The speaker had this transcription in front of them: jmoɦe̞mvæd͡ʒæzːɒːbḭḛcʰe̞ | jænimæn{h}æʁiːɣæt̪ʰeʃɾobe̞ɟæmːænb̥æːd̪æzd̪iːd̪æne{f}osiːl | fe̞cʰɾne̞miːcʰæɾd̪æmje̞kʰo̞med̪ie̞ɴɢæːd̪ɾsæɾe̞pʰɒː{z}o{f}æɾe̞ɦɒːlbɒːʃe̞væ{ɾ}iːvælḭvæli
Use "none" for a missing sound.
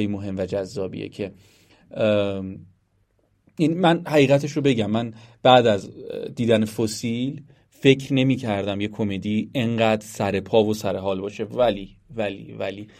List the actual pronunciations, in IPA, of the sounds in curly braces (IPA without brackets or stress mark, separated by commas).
h, f, v, s, l